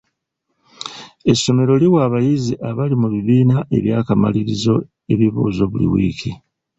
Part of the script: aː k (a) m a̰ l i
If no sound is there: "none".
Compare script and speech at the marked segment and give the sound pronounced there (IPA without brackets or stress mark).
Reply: a